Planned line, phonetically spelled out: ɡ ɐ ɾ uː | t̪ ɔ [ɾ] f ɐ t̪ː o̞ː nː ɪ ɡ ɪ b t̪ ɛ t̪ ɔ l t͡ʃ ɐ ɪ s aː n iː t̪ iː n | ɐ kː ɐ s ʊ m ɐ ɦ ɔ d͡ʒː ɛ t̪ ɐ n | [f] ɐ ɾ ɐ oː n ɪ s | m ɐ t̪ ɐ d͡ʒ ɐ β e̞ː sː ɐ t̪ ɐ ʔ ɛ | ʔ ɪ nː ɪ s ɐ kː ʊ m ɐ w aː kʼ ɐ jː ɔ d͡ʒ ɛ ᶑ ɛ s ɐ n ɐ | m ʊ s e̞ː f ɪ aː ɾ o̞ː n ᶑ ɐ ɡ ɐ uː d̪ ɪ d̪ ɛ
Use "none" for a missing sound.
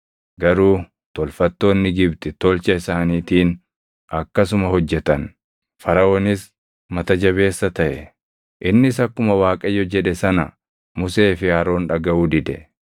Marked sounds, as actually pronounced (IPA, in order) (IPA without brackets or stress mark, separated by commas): l, f